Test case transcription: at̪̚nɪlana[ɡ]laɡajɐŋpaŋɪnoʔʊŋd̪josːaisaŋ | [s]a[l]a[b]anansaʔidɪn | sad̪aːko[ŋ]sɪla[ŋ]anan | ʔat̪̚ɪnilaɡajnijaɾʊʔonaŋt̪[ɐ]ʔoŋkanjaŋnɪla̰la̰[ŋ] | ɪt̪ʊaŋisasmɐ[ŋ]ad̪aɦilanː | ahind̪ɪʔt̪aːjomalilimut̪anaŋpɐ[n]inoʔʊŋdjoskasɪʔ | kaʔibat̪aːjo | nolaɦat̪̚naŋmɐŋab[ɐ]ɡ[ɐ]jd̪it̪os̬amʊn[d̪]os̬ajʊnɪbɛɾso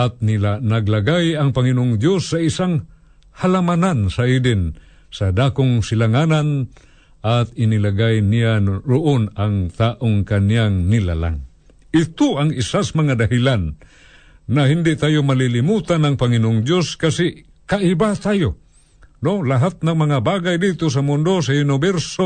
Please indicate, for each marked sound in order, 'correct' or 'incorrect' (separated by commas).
correct, incorrect, correct, incorrect, correct, correct, incorrect, correct, correct, incorrect, incorrect, incorrect, correct